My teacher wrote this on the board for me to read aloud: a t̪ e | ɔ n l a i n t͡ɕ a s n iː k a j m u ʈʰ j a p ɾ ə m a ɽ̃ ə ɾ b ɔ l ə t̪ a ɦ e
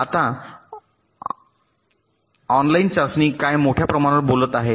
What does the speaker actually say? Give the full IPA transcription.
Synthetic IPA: a t̪ a | ɔ n l a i n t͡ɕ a s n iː k a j m o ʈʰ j a p ɾ ə m a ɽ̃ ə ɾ b o l ə t̪ a ɦ e